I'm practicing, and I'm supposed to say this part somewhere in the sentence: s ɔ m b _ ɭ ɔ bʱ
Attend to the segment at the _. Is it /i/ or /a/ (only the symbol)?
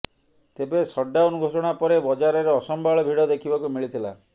a